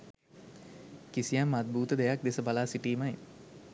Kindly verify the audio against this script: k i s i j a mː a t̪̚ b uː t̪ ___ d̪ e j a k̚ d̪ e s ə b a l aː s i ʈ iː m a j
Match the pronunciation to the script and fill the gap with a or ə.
ə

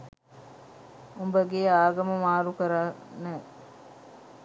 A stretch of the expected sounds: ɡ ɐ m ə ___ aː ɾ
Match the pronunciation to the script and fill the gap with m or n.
m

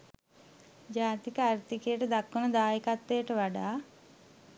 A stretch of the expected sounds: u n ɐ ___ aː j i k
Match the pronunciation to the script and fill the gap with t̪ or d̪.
d̪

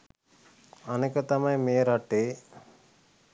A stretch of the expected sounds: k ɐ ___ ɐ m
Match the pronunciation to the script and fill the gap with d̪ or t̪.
t̪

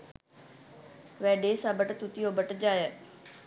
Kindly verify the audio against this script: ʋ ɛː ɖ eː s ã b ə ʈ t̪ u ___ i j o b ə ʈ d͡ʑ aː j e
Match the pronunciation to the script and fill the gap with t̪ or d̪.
t̪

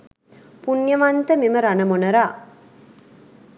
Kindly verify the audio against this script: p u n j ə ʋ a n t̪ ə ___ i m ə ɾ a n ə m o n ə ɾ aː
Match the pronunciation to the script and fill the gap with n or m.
m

